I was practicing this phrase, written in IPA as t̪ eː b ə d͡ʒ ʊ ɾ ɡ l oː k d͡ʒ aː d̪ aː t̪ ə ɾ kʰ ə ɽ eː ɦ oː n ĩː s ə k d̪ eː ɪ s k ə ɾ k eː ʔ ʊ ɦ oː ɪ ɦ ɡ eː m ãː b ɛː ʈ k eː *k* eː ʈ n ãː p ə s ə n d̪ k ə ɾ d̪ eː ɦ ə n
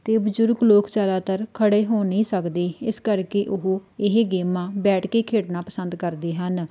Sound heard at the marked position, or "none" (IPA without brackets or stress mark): kʰ